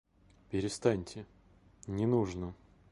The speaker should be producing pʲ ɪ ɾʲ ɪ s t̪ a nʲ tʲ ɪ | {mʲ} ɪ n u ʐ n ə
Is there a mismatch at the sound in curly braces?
yes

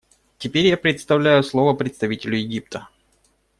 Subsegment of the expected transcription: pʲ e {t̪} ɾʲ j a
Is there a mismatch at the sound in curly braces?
yes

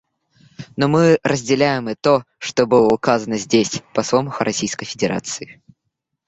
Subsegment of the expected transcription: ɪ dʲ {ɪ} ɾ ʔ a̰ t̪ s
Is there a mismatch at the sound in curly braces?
no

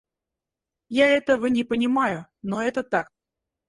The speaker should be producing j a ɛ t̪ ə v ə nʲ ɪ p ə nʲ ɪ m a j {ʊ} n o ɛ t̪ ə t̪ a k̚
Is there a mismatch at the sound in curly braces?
no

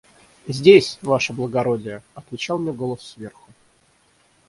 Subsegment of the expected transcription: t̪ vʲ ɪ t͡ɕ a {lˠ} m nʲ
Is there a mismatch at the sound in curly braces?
no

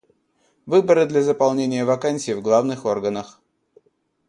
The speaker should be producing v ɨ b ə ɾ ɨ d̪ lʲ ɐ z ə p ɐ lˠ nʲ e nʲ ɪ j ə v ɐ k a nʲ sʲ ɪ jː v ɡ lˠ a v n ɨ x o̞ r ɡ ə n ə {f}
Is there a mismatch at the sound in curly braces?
yes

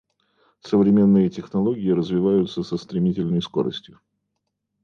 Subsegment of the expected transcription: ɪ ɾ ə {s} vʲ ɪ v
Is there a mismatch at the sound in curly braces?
yes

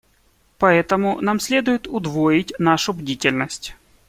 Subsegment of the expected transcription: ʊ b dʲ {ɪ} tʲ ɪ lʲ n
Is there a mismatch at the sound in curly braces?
yes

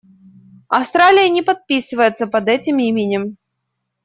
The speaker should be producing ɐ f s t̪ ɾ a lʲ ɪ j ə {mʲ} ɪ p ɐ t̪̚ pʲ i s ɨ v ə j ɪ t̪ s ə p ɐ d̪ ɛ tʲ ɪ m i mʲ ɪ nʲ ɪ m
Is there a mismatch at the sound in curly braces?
yes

